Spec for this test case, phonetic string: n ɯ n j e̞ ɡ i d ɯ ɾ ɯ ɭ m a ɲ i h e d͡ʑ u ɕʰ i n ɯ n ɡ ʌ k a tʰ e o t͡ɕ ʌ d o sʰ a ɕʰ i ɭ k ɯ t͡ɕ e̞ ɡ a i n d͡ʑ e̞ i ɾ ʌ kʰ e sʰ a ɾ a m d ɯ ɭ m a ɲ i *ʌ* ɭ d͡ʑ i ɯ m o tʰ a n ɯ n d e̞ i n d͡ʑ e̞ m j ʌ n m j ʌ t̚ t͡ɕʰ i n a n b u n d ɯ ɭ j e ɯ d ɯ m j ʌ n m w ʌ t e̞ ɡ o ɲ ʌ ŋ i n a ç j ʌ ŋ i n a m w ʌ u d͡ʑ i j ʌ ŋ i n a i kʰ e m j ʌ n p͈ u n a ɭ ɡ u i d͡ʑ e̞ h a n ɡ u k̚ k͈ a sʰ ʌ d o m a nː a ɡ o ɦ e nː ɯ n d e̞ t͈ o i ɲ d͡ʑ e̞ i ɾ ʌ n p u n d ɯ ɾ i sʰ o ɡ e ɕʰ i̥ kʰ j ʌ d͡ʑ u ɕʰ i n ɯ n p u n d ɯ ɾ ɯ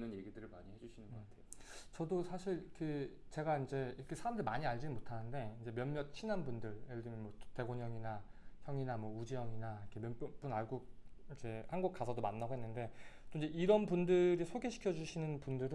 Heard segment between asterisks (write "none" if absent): a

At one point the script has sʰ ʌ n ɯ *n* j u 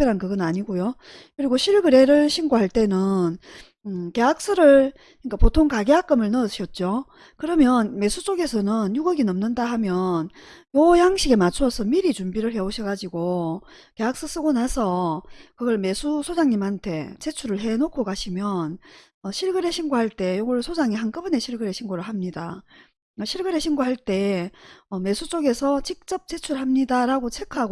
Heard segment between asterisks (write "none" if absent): n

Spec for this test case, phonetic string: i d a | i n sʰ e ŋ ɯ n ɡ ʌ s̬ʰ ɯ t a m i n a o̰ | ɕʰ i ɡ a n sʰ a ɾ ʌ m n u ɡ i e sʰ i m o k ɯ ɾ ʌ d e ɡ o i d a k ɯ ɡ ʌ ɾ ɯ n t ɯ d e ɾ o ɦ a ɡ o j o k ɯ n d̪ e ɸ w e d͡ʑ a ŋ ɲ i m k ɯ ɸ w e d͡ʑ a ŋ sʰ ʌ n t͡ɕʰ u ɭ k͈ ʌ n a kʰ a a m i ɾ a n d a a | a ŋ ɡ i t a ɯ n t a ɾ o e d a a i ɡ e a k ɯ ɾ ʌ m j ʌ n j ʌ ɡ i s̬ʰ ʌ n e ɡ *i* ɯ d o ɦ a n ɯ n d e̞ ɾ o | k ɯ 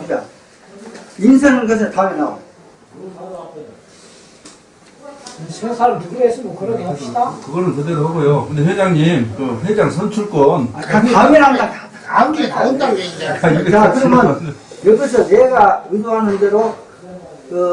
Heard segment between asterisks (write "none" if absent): a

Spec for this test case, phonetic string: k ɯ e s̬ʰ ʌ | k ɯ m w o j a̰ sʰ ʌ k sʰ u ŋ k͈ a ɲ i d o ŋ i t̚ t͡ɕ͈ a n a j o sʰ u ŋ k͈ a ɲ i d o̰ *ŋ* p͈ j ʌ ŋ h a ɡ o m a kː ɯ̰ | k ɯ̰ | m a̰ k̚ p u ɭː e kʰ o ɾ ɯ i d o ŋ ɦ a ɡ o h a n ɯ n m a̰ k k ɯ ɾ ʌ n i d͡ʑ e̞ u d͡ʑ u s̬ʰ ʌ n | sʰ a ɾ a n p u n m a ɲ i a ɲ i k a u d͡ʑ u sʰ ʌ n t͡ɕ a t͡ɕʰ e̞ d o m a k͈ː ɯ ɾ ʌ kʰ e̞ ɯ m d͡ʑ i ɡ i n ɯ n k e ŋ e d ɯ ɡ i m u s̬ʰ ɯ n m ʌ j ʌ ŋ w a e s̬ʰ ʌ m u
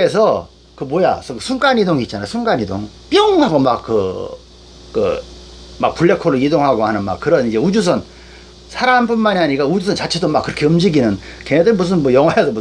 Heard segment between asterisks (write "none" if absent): ŋ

